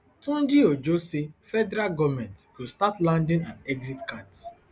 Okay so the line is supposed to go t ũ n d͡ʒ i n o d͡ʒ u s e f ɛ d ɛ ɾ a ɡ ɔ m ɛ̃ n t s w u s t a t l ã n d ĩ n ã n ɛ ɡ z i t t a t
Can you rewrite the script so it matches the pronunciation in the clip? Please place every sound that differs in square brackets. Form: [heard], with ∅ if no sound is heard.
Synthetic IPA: t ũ n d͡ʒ i [∅] o d͡ʒ [o] s e f ɛ d ɛ ɾ a ɡ ɔ m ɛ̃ n t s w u s t a t l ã n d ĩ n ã n ɛ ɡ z i t [k] a t